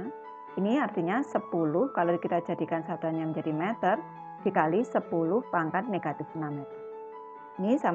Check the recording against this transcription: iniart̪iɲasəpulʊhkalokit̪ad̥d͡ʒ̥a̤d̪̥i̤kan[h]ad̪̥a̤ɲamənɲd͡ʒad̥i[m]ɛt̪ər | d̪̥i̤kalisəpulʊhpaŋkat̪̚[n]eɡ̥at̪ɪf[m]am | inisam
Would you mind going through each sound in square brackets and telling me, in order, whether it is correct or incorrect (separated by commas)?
incorrect, correct, correct, incorrect